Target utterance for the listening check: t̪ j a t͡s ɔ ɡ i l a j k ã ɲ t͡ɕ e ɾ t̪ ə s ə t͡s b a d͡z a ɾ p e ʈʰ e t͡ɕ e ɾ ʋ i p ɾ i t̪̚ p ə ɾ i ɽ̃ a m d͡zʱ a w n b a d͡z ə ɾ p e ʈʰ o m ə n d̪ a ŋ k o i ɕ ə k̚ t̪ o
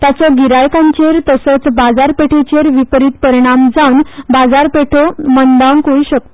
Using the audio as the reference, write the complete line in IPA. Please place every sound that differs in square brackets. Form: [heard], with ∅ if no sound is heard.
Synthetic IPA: t̪ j a t͡s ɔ ɡ i [ɾ] a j k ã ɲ t͡ɕ e ɾ t̪ ə s ə t͡s b a d͡z a ɾ p e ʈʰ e t͡ɕ e ɾ ʋ i p ɾ i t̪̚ p ə ɾ i ɽ̃ a m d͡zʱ a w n b a d͡z [a] ɾ p e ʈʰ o m ə n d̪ a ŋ k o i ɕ ə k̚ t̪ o